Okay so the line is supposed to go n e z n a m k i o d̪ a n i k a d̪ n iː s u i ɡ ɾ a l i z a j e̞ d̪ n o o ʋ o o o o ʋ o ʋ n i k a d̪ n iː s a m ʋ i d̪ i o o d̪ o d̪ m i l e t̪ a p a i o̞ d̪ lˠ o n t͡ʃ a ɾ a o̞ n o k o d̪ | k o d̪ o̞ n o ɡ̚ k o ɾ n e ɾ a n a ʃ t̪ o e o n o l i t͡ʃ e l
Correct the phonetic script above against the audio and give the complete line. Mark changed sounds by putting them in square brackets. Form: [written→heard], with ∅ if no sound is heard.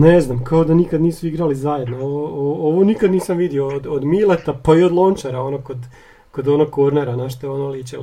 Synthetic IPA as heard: n e z n a m k [i→a] o d̪ a n i k a d̪ n iː s u i ɡ ɾ a l i z a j e̞ d̪ n o o ʋ o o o o ʋ o [ʋ→∅] n i k a d̪ n iː s a m ʋ i d̪ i o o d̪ o d̪ m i l e t̪ a p a i o̞ d̪ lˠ o n t͡ʃ a ɾ a o̞ n o k o d̪ | k o d̪ o̞ n o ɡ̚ k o ɾ n e ɾ a n a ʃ t̪ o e o n o l i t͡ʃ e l